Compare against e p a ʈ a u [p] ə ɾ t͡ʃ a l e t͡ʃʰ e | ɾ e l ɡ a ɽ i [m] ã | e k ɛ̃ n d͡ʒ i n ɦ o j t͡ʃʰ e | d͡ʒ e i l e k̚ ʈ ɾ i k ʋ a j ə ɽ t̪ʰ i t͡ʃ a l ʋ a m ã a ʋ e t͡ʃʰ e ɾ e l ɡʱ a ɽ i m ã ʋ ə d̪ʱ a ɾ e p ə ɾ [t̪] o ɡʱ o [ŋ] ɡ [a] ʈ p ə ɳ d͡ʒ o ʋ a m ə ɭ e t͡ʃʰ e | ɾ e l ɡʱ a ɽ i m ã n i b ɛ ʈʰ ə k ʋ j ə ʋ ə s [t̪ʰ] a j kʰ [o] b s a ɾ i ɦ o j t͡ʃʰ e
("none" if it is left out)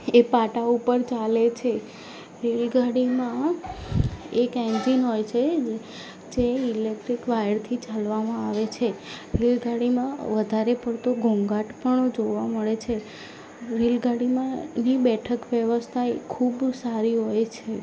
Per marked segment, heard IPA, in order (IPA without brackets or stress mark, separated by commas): p, m, t̪, ŋ, a, t̪ʰ, u